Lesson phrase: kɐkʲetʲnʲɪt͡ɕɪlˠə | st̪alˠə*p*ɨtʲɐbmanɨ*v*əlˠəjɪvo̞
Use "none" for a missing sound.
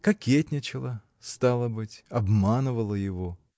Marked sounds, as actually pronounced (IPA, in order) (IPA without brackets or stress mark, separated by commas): b, v